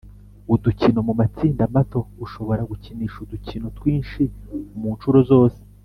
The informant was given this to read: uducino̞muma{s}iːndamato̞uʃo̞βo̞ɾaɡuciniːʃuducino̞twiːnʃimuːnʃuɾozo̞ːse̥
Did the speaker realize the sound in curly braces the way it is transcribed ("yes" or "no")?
no